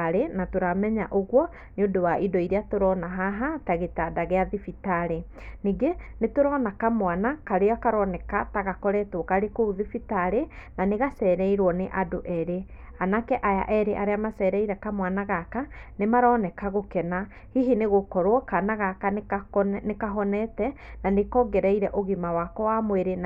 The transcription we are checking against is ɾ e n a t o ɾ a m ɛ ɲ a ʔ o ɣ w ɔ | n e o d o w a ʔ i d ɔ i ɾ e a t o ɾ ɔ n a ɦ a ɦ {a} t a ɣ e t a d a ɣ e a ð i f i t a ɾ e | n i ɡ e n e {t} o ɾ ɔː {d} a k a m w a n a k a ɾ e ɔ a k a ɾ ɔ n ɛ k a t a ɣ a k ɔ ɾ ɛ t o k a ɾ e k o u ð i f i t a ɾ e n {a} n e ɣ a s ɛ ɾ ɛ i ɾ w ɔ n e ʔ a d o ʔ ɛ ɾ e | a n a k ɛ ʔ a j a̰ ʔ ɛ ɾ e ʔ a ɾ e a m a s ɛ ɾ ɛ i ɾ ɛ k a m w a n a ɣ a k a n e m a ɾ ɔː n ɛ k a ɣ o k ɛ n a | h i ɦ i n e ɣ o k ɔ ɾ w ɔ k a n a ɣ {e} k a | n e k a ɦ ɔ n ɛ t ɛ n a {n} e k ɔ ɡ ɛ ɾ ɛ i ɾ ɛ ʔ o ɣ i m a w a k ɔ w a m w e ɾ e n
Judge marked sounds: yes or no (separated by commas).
yes, yes, no, yes, no, yes